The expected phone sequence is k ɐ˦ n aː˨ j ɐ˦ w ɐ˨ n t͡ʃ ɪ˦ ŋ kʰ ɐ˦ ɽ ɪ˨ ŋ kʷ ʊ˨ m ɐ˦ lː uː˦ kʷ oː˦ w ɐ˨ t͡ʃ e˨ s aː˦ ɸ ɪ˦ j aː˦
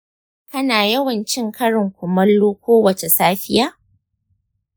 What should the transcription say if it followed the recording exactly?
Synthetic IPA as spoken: k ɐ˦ n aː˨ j ɐ˦ w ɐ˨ n t͡ʃ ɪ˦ ŋ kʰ ɐ˦ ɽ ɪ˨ ŋ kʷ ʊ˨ m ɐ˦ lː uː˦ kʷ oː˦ w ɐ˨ t͡ʃ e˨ s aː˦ ɸ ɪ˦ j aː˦